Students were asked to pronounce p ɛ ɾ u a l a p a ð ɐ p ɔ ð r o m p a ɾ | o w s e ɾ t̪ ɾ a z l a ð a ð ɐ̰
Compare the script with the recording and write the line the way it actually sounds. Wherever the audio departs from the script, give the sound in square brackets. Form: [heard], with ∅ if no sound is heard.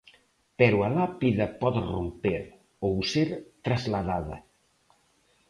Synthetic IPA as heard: p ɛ ɾ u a l a p [i] ð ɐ p ɔ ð r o m p [e] ɾ | o w s e ɾ t̪ ɾ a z l a ð a ð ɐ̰